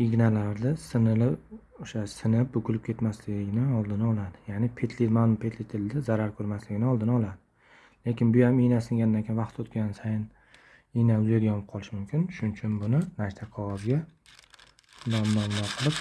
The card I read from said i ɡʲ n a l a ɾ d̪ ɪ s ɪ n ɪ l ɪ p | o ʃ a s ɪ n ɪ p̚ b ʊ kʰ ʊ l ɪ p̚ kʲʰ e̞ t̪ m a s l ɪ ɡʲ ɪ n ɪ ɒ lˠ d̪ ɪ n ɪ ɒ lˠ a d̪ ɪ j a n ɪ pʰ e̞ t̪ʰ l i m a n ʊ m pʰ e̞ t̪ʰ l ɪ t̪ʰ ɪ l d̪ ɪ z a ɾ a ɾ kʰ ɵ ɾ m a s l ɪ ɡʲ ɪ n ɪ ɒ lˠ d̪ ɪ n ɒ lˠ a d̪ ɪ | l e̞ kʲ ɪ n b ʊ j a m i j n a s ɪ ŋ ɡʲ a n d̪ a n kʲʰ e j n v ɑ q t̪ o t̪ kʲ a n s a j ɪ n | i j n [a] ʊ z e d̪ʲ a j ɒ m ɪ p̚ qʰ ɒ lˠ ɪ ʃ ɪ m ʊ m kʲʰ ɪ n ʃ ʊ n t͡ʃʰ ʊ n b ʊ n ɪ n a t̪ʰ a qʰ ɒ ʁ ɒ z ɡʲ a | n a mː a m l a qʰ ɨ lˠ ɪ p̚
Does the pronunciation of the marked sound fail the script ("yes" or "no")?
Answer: no